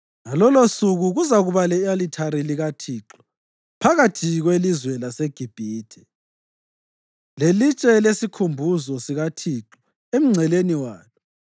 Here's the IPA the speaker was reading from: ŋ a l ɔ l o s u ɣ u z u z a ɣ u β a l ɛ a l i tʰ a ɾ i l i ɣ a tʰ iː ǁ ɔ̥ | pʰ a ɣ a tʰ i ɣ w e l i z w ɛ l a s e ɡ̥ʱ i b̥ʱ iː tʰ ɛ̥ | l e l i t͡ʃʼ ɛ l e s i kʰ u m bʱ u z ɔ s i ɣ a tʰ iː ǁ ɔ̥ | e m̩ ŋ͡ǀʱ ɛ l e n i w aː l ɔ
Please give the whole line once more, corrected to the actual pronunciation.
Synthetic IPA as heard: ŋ a l ɔ l o s u ɣ u ɣ u z a ɣ u β a l ɛ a l i tʰ a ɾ i l i ɣ a tʰ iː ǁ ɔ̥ | pʰ a ɣ a tʰ i ɣ w e l i z w ɛ l a s e ɡ̥ʱ i b̥ʱ iː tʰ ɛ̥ | l e l i t͡ʃʼ ɛ l e s i kʰ u m bʱ u z ɔ s i ɣ a tʰ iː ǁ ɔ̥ | e m̩ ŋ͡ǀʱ ɛ l e n i w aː l ɔ